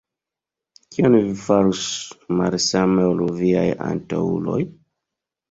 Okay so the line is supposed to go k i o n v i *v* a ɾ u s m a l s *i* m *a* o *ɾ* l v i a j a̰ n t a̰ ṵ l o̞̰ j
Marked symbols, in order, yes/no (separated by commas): no, no, no, no